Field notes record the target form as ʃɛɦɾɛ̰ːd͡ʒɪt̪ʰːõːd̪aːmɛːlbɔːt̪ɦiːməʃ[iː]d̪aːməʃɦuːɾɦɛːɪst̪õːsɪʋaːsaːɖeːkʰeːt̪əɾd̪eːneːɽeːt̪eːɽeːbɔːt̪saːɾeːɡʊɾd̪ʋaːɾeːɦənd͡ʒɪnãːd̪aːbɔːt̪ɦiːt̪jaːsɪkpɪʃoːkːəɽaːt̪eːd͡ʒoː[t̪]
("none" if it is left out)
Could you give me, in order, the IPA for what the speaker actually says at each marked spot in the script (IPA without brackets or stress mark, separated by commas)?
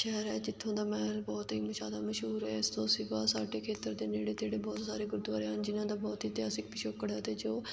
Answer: aː, none